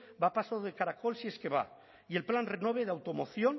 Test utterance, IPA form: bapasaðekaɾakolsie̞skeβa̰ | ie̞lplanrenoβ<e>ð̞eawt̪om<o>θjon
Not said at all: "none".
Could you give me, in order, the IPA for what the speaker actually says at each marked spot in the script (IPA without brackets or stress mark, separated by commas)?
e, o